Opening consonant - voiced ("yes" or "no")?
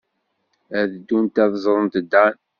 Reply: yes